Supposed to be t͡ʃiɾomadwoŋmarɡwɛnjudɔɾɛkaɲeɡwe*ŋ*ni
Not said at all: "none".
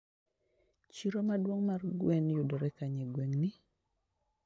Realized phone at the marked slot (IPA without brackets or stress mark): ŋ